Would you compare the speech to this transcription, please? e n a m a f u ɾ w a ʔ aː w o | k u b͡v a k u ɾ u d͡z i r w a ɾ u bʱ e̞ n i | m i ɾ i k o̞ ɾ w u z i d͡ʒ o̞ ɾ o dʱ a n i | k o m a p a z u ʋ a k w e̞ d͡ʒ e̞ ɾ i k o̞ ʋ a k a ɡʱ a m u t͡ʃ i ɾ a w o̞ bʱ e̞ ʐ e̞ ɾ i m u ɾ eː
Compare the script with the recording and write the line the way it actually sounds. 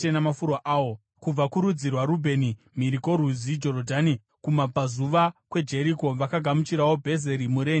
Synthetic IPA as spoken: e n a m a f u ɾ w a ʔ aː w o | k u b͡v a k u ɾ u d͡z i r w a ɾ u bʱ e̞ n i | m i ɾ i k o̞ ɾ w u z i d͡ʒ o̞ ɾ o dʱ a n i | k u m a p a z u ʋ a k w e̞ d͡ʒ e̞ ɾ i k o̞ ʋ a k a ɡʱ a m u t͡ʃ i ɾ a w o̞ bʱ e̞ z e̞ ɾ i m u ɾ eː